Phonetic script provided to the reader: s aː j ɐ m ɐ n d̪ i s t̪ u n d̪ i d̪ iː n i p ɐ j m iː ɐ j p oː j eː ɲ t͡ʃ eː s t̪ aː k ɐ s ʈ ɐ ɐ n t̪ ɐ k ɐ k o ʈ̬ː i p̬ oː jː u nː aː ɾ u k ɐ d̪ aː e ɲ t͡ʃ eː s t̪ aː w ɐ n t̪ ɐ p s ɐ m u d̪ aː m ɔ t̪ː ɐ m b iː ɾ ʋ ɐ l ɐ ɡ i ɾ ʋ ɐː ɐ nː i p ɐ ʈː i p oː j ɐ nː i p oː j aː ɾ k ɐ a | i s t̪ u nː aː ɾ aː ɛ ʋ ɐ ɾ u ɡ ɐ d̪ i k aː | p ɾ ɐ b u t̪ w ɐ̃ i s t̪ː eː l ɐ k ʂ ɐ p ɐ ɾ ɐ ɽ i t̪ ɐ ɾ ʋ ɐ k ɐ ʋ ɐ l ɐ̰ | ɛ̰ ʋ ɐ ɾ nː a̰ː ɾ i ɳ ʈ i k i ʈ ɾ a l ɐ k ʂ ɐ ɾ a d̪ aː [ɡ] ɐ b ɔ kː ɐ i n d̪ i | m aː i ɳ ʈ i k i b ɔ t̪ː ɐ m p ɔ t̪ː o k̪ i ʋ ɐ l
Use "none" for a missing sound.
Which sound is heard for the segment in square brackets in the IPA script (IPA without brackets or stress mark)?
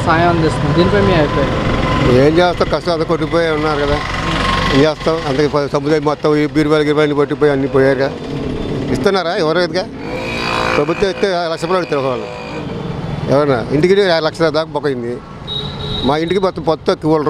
k